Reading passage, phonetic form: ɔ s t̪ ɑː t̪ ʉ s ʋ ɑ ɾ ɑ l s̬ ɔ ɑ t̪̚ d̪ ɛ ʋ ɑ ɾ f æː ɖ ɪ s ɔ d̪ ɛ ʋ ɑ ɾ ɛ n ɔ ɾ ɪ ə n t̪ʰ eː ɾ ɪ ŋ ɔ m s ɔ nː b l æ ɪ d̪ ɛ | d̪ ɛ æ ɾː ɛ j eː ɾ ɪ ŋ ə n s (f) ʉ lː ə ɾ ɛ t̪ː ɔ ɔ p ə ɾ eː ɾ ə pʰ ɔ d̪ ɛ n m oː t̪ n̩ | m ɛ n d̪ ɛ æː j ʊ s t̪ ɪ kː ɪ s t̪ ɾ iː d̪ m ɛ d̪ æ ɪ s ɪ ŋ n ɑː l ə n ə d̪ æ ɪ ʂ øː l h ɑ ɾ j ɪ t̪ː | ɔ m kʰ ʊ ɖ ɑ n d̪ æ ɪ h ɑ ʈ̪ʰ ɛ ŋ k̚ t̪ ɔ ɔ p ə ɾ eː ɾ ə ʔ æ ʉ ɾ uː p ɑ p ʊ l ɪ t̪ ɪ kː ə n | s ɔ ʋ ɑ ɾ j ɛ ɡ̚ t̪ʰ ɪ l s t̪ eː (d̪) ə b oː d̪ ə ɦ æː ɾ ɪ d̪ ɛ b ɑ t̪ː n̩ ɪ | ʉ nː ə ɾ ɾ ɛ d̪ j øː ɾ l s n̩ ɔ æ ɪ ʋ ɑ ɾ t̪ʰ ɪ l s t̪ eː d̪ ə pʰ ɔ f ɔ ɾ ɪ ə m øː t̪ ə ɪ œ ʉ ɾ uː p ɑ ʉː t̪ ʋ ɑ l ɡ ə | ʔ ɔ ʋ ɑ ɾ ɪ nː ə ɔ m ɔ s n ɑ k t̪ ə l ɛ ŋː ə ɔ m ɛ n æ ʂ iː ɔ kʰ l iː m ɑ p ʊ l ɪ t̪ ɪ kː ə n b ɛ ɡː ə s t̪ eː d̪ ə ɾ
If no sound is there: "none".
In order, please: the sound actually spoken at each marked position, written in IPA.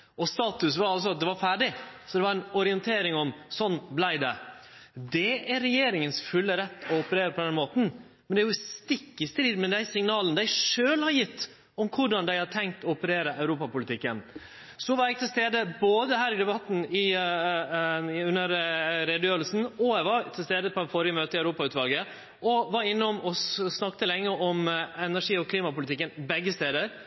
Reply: f, d̪

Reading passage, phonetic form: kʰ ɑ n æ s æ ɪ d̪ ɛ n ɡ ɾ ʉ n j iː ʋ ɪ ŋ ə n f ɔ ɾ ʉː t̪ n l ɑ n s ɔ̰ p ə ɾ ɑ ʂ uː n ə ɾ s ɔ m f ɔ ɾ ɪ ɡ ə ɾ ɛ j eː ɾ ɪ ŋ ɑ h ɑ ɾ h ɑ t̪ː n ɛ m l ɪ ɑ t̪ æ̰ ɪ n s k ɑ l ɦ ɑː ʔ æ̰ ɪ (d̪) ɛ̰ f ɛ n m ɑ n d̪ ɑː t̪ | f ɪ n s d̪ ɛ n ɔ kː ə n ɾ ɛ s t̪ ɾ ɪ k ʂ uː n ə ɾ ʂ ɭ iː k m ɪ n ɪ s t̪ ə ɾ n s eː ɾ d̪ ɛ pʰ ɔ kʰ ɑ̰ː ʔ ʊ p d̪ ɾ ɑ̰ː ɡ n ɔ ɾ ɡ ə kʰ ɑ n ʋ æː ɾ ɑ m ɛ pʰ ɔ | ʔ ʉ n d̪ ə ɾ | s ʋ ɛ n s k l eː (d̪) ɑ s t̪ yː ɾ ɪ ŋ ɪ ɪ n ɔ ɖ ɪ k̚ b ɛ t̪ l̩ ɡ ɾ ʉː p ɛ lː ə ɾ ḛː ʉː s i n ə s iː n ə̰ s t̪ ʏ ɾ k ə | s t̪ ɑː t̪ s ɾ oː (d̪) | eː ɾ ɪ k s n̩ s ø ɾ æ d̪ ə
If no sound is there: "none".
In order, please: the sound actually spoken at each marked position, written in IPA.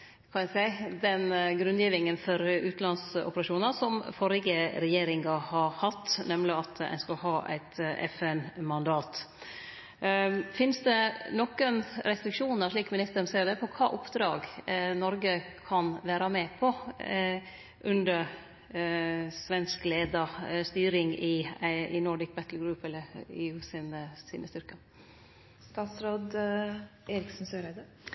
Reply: t̪, d̪, d̪

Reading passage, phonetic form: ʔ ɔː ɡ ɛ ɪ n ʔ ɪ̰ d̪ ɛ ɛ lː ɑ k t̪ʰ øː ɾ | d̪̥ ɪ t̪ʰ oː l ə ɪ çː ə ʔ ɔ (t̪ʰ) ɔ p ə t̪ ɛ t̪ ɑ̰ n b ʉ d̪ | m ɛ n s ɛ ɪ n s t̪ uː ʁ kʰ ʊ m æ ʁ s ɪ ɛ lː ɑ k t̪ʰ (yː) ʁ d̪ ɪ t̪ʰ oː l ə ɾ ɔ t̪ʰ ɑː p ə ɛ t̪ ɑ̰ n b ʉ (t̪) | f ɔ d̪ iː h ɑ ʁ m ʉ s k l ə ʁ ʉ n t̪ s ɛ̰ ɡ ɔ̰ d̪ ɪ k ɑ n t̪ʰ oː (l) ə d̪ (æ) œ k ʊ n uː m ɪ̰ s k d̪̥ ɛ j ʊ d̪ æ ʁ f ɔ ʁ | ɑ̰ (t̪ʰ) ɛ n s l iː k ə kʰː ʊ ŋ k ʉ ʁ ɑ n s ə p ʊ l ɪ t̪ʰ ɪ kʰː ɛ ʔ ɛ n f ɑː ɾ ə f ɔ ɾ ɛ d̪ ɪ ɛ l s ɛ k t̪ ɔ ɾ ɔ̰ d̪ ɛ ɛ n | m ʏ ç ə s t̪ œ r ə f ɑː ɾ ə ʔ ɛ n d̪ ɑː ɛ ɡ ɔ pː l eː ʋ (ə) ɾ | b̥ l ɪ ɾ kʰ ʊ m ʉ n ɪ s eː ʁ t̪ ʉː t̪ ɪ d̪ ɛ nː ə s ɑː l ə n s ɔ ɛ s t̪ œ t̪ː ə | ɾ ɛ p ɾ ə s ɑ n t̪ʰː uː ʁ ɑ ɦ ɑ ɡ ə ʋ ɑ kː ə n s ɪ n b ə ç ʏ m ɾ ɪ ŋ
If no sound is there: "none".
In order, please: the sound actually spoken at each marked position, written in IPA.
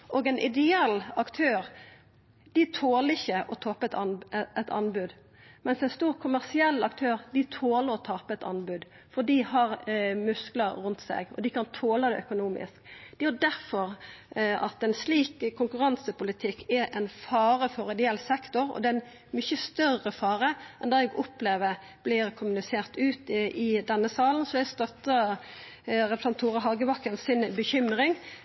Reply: t̪ʰ, øː, d̪, l, ɛ, t̪, ə

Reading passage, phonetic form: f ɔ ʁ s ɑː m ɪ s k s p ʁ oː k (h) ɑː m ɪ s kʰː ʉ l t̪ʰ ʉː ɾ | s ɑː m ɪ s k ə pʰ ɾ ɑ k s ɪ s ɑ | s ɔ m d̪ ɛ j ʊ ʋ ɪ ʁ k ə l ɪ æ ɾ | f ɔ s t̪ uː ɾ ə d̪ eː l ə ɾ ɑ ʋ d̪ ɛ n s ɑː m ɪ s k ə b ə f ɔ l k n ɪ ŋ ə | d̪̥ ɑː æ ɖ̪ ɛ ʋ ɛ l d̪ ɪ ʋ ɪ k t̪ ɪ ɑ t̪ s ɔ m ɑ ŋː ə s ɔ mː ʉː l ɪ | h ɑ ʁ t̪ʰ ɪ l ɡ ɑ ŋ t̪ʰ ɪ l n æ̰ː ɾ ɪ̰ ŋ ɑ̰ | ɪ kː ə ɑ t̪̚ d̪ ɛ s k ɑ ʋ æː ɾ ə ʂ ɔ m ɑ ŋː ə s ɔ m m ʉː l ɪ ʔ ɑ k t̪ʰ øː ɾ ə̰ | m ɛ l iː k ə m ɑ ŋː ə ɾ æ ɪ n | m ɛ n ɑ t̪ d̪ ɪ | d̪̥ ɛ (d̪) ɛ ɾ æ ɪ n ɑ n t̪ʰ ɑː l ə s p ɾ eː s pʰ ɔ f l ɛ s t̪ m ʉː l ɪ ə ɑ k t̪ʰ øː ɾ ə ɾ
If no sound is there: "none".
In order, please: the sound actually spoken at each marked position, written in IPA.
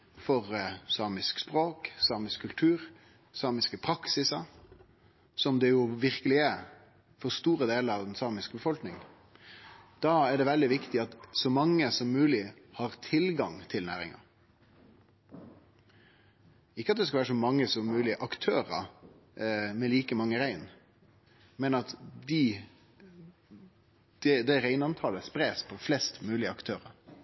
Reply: s, d̪

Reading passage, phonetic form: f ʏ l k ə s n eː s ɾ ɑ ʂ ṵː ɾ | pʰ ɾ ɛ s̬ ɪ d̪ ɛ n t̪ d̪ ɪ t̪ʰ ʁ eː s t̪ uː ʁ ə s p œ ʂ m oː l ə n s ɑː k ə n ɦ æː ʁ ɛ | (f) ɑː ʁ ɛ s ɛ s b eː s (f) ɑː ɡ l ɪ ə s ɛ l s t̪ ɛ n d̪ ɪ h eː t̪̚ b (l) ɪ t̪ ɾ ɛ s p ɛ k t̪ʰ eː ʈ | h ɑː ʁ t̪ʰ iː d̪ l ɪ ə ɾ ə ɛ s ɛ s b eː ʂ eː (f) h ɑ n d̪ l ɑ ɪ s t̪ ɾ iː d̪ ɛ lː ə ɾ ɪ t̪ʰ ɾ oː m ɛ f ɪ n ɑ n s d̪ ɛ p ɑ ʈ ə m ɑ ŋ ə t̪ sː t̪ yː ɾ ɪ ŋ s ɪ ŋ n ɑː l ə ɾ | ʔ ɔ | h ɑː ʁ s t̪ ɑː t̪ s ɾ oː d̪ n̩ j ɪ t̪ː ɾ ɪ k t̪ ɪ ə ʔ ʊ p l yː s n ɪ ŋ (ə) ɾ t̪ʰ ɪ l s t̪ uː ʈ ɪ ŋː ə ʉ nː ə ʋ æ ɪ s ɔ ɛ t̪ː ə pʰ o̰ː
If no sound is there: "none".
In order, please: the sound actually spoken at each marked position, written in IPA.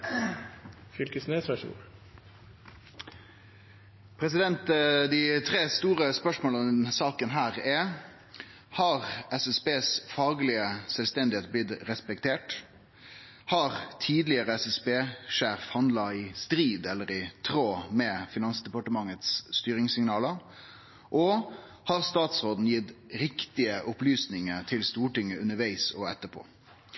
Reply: h, f, l, f, ə

